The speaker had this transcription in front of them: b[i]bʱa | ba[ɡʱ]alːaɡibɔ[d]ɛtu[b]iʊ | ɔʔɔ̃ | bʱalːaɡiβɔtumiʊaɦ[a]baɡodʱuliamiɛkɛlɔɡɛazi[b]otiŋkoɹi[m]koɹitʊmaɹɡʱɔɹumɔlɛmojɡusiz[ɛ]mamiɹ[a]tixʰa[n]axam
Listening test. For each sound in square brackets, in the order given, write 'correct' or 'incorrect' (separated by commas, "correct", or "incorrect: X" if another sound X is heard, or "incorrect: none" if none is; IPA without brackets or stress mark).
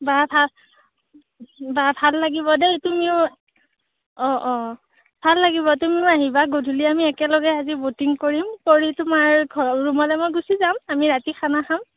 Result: incorrect: a, incorrect: bʱ, correct, incorrect: m, incorrect: i, correct, correct, incorrect: a, correct, correct